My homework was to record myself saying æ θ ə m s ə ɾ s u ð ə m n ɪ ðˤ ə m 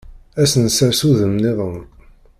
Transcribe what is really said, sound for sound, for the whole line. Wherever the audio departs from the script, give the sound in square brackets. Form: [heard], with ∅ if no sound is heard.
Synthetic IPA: æ [s] ə [n] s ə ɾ s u ð ə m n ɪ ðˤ ə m